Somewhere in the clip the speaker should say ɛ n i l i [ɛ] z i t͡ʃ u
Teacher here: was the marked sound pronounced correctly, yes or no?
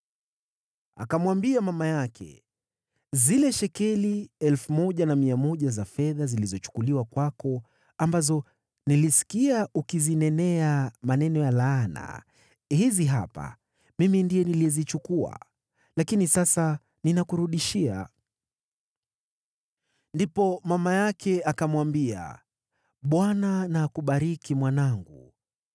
yes